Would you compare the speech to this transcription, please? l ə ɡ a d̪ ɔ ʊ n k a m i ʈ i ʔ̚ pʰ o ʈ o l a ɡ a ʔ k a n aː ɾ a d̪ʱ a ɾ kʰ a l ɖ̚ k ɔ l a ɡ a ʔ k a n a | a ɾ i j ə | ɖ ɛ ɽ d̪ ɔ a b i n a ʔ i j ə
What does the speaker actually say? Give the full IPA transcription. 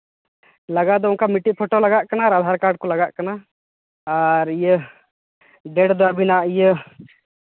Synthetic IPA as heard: l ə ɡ a d̪ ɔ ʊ n k a m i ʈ i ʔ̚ pʰ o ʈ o l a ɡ a ʔ k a n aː ɾ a d̪ʱ a ɾ k a ɾ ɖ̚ k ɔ l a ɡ a ʔ k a n a | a ɾ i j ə | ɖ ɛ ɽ d̪ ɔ a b i n a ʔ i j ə